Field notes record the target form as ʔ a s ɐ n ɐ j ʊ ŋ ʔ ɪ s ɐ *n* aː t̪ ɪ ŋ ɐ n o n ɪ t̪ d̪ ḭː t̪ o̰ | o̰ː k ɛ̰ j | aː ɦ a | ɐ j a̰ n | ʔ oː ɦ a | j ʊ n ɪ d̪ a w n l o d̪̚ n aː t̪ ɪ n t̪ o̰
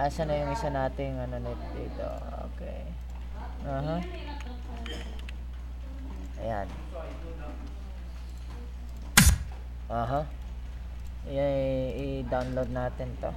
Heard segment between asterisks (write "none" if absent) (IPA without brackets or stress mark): n